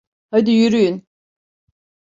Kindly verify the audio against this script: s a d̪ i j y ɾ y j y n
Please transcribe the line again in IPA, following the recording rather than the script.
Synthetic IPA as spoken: h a d̪ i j y ɾ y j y n